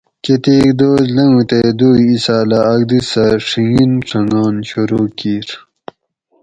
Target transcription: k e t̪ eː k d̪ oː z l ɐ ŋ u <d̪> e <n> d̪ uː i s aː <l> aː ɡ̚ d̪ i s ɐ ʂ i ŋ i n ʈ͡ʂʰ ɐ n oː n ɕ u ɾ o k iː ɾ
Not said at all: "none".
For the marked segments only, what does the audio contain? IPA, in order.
t̪, none, l

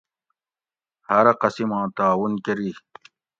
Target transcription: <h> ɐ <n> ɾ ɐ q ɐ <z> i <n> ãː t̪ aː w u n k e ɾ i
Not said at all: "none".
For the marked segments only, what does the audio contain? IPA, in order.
h, none, s, m

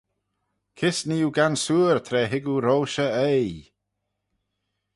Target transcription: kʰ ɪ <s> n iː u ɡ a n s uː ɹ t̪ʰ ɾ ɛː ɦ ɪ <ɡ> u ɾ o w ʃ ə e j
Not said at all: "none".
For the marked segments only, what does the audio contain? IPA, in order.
s, ɡ

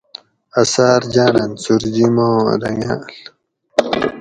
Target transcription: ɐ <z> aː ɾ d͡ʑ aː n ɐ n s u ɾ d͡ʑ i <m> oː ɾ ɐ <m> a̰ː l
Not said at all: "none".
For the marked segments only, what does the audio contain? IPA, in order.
s, m, ŋ

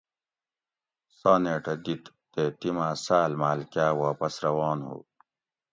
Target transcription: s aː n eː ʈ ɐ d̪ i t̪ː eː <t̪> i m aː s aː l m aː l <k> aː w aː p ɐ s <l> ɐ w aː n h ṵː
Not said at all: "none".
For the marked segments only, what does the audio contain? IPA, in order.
t̪, k, ɾ

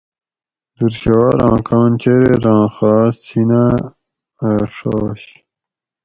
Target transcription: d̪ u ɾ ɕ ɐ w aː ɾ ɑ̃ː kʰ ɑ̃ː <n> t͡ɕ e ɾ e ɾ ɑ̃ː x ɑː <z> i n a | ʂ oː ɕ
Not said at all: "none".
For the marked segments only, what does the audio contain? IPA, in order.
n, s

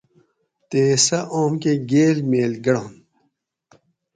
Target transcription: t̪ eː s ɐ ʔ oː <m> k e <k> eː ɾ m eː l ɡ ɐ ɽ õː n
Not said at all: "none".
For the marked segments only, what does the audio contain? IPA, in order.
m, ɡ

